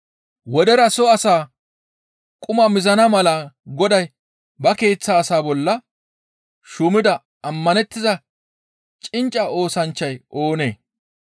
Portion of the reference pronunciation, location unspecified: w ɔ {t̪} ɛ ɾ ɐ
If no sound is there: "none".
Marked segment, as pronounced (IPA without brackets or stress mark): d̪